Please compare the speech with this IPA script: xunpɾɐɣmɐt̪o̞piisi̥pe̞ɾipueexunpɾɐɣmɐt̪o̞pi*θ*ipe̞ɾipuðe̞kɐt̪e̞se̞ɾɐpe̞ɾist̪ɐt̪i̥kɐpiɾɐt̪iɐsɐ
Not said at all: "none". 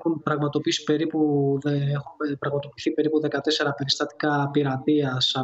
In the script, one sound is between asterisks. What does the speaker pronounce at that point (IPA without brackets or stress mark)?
θ